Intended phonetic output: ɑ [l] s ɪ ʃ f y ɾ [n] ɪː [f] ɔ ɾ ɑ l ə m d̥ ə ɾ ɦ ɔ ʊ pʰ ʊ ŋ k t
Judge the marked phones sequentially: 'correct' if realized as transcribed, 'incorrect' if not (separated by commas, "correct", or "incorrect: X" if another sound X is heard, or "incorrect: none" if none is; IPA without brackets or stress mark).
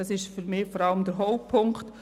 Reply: incorrect: none, incorrect: m, correct